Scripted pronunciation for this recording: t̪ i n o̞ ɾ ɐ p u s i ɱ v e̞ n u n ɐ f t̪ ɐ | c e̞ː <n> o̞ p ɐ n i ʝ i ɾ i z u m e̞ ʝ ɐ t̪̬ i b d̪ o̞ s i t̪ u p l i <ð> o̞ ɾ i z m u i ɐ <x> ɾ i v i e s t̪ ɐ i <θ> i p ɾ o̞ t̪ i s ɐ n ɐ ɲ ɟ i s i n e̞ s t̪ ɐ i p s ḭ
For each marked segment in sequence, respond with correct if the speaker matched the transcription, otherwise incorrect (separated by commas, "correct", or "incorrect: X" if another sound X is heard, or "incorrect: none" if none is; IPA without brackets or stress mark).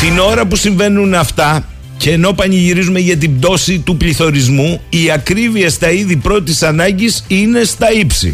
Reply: correct, incorrect: θ, incorrect: k, incorrect: ð